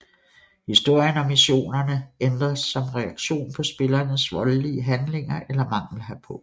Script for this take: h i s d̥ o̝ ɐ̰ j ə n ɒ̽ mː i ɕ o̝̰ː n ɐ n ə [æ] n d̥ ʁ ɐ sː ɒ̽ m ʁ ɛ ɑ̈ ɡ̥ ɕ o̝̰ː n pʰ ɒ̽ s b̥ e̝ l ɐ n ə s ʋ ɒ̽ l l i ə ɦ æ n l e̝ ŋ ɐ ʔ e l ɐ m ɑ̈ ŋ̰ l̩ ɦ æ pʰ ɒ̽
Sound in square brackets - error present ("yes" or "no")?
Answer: yes